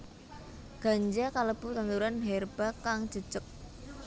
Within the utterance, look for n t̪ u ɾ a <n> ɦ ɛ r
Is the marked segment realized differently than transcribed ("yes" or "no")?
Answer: no